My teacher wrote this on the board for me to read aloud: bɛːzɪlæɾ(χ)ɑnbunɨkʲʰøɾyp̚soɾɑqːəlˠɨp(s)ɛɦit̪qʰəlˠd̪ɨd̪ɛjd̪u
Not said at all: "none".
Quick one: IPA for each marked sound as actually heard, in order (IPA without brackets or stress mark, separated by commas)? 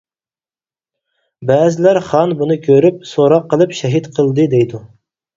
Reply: χ, ʃ